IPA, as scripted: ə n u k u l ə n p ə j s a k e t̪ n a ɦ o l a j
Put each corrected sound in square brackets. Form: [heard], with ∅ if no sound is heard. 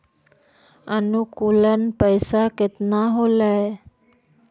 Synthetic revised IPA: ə n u k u l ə n p ə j s a k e t̪ n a ɦ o l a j